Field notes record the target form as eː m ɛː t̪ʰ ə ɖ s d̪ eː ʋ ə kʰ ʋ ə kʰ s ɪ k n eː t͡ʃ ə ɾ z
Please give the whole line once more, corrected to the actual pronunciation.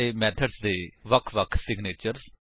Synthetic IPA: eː m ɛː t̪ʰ ə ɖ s d̪ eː ʋ ə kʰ ʋ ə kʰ s ɪ ɡ n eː t͡ʃ ə ɾ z

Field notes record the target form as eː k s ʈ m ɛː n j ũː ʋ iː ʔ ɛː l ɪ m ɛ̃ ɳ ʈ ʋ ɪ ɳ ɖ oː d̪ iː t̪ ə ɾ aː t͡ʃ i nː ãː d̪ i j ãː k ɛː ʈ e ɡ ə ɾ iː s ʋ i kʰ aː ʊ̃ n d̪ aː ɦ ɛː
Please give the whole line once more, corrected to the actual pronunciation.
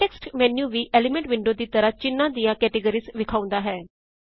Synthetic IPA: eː k s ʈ m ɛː n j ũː ʋ iː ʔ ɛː l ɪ m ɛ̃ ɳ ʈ ʋ ɪ ɳ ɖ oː d̪ iː t̪ ə ɾ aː t͡ʃ ɪ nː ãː d̪ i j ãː k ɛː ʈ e ɡ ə ɾ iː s ʋ ɪ kʰ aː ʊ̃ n d̪ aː ɦ ɛː

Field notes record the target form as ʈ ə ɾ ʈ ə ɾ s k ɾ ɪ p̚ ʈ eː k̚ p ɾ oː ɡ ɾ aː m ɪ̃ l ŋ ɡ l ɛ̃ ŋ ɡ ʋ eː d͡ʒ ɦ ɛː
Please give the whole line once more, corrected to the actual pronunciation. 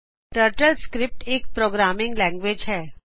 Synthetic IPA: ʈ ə ɾ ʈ ə l s k ɾ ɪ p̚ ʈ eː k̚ p ɾ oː ɡ ɾ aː m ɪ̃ ŋ ɡ l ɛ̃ ŋ ɡ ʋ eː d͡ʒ ɦ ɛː

